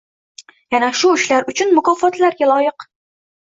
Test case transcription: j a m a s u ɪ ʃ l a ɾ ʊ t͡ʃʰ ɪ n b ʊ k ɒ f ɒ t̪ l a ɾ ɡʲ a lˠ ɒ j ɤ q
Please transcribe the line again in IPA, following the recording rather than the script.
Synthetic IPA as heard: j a n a ʃ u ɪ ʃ l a ɾ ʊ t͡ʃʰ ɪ n m ʊ k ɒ f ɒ t̪ l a ɾ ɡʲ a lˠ ɒ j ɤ q